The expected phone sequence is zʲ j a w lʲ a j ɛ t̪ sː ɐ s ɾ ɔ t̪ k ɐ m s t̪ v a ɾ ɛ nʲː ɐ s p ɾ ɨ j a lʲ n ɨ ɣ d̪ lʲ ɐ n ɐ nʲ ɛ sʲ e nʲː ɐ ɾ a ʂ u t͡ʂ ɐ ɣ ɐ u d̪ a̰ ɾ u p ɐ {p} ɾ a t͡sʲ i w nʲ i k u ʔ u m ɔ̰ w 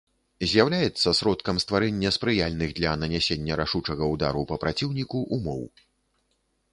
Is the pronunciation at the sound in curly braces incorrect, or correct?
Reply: correct